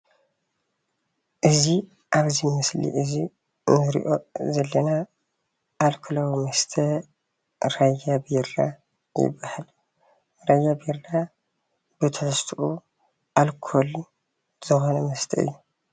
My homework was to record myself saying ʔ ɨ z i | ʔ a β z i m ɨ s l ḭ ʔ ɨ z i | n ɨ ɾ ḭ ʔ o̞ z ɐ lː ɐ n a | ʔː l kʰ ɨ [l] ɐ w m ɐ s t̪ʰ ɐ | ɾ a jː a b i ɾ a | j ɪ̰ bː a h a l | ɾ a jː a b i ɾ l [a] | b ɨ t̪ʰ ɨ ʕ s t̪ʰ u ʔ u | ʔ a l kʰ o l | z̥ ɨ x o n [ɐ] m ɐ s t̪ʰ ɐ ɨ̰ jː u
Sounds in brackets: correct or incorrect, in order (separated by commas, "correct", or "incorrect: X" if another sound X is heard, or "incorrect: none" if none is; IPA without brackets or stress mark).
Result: correct, correct, correct